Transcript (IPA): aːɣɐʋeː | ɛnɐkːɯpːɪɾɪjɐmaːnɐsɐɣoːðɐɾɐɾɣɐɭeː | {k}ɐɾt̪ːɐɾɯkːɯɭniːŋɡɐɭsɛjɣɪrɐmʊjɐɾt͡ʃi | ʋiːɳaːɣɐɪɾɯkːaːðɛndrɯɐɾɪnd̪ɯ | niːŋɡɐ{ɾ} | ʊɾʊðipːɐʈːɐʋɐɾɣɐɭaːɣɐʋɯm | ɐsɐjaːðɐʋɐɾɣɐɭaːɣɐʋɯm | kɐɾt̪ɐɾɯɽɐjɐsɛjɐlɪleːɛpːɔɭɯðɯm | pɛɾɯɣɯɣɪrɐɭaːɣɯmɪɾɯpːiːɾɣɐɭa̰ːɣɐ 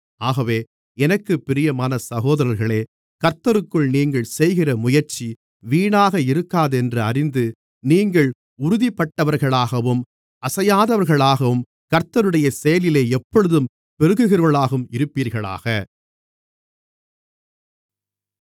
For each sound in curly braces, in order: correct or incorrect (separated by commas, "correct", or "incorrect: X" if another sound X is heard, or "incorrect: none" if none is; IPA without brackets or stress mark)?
correct, incorrect: ɭ